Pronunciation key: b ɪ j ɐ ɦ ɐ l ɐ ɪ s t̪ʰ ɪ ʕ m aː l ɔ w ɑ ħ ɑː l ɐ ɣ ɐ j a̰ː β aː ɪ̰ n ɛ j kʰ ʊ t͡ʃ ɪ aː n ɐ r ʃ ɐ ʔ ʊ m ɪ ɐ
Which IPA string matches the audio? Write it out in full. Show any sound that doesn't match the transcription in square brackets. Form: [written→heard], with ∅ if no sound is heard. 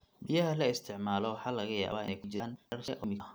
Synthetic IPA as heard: b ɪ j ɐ ɦ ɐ l ɐ ɪ s t̪ʰ ɪ ʕ m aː l ɔ w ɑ ħ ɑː l ɐ ɣ ɐ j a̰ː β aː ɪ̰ n ɛ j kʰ ʊ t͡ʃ ɪ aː n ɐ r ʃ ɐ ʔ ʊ m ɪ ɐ